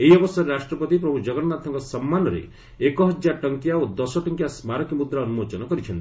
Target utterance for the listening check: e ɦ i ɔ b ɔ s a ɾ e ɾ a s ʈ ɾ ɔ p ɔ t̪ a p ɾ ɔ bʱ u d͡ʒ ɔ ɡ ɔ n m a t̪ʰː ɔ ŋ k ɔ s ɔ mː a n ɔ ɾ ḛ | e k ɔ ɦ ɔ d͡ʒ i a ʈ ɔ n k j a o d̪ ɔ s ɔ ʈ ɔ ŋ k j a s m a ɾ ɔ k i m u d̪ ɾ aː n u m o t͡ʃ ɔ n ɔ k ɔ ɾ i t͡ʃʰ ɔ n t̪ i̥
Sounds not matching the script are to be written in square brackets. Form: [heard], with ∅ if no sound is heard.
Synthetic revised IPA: e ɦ i ɔ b ɔ s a ɾ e ɾ a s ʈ ɾ ɔ p ɔ t̪ [i] p ɾ ɔ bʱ u d͡ʒ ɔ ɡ ɔ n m a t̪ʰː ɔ ŋ k ɔ s ɔ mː a n ɔ ɾ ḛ | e k ɔ ɦ ɔ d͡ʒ [j] a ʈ ɔ [ŋ] k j a o d̪ ɔ s ɔ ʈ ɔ ŋ k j a s m a ɾ ɔ k i m u d̪ ɾ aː n u m o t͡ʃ ɔ n ɔ k ɔ ɾ i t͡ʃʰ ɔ n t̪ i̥